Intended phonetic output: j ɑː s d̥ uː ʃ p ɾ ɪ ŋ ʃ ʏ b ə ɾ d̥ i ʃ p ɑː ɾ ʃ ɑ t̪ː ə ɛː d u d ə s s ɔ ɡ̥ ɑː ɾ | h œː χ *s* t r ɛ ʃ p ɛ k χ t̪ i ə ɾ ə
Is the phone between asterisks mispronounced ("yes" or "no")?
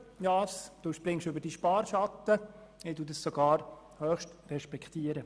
yes